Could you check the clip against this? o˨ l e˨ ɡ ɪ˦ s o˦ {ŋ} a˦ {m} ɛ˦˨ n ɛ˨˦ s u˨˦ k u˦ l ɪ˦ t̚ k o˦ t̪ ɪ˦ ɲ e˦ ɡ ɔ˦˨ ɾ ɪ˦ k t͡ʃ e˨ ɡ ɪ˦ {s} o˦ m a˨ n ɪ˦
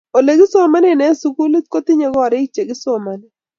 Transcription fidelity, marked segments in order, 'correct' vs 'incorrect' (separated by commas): incorrect, incorrect, correct